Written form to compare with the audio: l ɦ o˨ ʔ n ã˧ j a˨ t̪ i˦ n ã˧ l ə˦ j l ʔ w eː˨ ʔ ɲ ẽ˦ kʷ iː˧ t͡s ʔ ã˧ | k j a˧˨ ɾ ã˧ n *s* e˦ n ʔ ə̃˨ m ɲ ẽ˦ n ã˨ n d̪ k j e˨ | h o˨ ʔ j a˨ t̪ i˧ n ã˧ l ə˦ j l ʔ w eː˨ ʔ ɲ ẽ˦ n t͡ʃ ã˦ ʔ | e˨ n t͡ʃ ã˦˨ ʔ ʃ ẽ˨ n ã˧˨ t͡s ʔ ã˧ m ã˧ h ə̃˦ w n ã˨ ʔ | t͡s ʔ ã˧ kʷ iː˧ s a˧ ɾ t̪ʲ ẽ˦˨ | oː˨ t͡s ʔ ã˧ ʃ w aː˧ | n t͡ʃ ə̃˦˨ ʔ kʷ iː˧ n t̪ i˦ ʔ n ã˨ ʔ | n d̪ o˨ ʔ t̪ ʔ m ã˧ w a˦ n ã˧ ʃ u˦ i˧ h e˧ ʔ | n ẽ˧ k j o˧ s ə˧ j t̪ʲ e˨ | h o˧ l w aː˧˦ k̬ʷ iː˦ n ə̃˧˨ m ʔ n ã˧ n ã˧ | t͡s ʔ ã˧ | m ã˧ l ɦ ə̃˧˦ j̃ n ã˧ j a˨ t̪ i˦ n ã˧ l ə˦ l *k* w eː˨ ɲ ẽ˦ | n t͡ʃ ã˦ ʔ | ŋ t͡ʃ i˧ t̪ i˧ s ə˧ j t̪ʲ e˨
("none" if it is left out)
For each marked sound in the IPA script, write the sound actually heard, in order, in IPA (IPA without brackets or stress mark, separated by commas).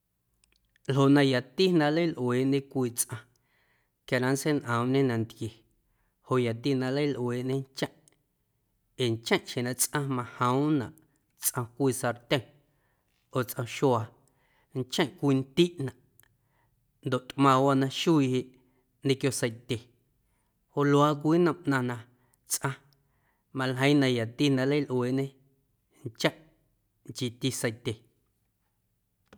s, ʔ